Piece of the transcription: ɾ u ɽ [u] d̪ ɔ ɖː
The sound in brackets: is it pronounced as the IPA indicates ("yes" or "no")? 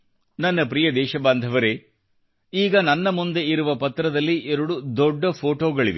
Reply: yes